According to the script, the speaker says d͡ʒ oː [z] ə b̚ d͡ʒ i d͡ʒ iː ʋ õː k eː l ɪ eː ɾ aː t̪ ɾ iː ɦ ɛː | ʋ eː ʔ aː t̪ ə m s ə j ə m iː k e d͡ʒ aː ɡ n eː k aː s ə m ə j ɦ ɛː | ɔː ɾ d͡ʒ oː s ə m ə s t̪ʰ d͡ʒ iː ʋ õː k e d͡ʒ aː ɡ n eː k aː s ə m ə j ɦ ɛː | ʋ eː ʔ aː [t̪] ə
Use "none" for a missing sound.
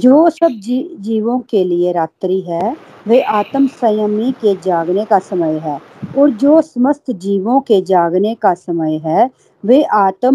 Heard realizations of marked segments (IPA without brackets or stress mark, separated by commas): s, t̪